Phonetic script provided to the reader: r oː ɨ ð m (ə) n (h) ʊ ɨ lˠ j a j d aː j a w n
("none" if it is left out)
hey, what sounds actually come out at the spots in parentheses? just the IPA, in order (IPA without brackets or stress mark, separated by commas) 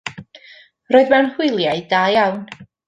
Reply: a, h